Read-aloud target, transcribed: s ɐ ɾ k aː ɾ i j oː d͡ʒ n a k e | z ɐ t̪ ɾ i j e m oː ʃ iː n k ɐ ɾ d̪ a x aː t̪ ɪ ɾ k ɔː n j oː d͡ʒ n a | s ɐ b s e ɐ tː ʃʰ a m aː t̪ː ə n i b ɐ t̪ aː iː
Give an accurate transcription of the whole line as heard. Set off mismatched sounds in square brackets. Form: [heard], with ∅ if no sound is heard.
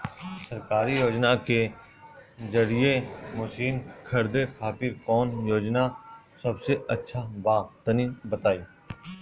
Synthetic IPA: s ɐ ɾ k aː ɾ i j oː d͡ʒ n a k e | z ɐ [∅] ɾ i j e m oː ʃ iː n [kʰ] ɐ ɾ d̪ [e] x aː t̪ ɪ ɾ k ɔː n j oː d͡ʒ n a | s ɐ b s e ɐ tː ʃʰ a [b] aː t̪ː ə n i b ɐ t̪ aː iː